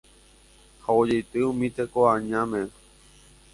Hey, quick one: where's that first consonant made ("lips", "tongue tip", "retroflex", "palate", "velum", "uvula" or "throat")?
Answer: throat